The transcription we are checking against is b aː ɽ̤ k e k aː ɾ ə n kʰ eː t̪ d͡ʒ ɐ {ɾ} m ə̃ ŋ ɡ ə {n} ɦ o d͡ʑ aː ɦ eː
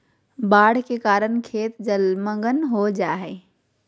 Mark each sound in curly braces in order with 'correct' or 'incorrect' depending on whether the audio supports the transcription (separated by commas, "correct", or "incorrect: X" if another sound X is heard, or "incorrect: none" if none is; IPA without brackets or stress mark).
incorrect: l, correct